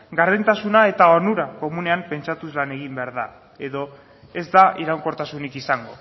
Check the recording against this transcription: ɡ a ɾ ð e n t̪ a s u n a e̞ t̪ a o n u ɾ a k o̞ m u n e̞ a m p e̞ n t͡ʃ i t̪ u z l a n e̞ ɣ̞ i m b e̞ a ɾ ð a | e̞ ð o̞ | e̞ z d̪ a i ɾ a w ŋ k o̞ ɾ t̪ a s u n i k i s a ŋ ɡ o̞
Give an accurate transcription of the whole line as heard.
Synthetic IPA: ɡ a ɾ ð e n t̪ a s u n a e̞ t̪ a o n u ɾ a k o̞ m u n e̞ a m p e̞ n t͡ʃ a t̪ u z l a n e̞ ɣ̞ i m b e̞ a ɾ ð a | e̞ ð o̞ | e̞ z d̪ a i ɾ a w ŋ k o̞ ɾ t̪ a s u n i k i s a ŋ ɡ o̞